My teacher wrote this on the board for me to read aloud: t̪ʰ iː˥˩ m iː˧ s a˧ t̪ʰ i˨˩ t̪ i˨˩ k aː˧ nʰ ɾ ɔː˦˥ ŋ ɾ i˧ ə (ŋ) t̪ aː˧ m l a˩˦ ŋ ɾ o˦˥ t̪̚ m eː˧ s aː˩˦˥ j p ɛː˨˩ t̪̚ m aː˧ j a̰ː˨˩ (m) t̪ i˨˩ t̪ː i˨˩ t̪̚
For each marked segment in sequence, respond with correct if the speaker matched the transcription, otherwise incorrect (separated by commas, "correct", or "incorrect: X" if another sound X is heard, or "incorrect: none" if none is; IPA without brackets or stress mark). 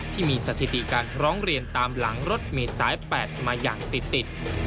incorrect: n, incorrect: ŋ